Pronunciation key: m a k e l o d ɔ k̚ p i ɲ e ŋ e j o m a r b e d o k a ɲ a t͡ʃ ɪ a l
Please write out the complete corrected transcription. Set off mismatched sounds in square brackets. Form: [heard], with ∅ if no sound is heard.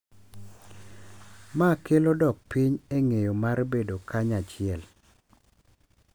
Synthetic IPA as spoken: m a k e l o d ɔ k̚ p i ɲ e ŋ e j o m a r b e d o k a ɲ a t͡ʃ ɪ [ɛ] l